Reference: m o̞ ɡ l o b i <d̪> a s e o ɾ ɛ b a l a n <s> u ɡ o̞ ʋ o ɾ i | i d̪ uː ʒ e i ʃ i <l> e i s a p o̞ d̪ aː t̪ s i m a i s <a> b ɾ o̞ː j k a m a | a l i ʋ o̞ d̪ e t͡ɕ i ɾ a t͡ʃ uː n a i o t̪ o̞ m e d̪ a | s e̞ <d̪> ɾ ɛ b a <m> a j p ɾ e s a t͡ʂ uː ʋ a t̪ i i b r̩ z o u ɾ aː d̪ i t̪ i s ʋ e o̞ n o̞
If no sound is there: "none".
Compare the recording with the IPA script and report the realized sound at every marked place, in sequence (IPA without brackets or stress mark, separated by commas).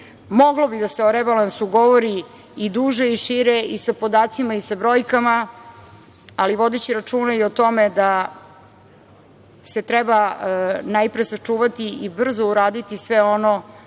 d̪, s, ɾ, a, t̪, n